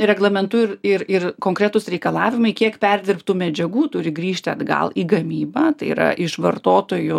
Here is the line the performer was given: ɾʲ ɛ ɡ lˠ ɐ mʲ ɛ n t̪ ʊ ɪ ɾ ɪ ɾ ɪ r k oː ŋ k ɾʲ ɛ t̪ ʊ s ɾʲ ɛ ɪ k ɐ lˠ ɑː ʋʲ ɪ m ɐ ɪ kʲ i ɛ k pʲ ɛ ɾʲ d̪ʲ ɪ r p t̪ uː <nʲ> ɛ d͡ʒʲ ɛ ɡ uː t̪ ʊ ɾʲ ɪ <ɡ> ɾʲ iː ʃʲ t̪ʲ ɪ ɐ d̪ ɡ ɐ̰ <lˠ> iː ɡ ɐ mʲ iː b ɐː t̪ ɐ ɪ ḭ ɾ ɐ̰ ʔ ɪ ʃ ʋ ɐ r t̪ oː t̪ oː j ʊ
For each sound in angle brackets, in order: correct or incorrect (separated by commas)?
incorrect, correct, correct